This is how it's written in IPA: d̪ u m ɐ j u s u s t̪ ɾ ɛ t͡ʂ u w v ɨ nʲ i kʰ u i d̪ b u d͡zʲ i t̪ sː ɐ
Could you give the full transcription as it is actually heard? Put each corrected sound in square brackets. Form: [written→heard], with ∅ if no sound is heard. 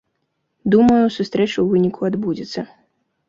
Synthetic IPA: d̪ u m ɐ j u s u s t̪ ɾ ɛ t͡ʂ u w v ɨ nʲ i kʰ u [i→a] d̪ b u d͡zʲ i t̪ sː ɐ